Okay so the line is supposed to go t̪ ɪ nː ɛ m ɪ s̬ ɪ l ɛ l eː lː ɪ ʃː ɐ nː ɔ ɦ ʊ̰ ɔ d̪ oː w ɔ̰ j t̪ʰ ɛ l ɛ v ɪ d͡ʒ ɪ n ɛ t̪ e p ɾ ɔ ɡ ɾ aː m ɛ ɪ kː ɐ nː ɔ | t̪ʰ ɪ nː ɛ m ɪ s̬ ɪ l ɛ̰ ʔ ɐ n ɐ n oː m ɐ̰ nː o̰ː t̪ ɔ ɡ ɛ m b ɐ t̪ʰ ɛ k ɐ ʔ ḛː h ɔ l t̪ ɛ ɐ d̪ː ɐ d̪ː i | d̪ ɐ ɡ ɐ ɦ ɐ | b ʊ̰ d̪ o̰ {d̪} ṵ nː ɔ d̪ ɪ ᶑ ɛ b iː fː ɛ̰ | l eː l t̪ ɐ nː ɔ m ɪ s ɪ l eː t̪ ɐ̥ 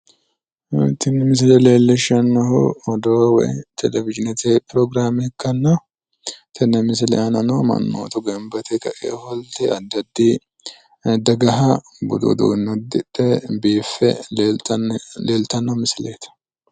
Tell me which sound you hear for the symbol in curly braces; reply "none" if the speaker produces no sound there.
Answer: d̪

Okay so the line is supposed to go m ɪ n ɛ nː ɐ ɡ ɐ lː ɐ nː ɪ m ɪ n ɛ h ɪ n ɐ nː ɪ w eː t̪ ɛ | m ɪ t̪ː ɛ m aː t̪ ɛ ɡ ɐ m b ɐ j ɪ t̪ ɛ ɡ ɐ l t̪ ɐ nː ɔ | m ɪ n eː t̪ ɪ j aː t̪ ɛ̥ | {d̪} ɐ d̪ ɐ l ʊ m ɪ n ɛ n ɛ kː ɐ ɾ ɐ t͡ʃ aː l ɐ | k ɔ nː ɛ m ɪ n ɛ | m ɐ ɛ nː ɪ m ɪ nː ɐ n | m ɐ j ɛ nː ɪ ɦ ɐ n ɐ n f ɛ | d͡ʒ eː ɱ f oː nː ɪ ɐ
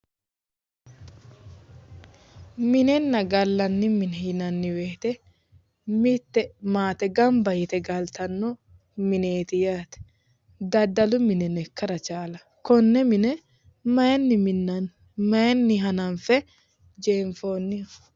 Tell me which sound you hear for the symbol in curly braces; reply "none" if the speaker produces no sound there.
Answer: d̪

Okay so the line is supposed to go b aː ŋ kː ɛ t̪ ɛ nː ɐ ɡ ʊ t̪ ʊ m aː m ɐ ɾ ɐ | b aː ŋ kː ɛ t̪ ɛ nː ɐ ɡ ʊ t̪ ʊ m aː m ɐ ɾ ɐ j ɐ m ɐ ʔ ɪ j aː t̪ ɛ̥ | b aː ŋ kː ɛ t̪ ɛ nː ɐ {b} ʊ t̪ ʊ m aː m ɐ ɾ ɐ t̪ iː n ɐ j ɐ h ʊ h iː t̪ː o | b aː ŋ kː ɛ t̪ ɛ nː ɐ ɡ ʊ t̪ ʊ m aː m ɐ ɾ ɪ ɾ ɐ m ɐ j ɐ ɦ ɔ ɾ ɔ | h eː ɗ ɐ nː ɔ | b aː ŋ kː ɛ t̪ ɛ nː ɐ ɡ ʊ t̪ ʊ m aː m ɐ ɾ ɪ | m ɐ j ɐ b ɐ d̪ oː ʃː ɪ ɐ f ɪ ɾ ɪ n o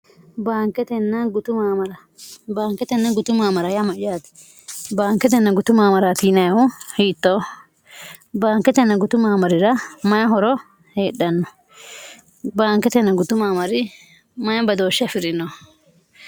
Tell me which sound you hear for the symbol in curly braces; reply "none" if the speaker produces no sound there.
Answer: ɡ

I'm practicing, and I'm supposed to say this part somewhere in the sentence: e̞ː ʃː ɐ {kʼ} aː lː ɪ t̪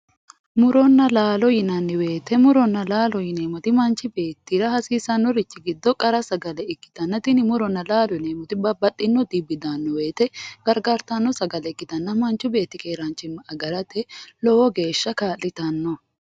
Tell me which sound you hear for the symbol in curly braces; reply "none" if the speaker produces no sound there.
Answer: k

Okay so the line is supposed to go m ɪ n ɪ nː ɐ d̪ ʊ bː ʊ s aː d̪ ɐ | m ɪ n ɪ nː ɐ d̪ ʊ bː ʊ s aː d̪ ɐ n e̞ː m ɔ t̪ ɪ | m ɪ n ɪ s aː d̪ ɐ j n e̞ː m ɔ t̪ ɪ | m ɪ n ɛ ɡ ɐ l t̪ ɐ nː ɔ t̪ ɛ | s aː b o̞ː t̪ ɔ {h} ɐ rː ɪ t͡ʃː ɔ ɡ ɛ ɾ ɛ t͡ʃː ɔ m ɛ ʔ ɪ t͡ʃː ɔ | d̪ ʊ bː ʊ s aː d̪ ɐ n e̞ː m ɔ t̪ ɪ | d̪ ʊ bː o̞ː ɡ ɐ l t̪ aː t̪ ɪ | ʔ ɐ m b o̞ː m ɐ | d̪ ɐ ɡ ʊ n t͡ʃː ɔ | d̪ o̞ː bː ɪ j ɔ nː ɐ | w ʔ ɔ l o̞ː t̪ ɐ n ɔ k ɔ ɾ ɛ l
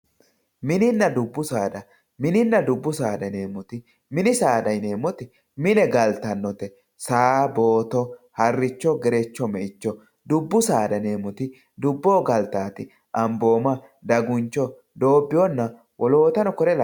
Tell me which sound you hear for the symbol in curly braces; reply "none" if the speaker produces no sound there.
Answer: h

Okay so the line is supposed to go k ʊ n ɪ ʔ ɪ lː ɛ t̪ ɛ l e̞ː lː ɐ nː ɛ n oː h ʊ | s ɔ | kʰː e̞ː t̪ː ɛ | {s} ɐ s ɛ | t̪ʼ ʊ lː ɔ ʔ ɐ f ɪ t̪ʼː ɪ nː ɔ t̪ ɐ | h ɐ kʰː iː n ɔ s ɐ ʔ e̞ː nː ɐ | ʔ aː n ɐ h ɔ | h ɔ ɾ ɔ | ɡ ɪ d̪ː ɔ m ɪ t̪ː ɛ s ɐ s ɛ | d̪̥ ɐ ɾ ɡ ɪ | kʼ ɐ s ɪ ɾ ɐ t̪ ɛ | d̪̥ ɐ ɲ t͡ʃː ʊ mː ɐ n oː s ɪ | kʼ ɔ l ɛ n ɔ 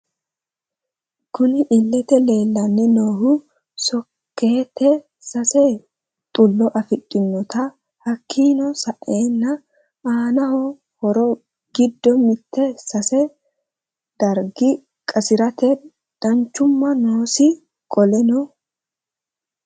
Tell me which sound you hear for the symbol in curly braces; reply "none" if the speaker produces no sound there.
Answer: s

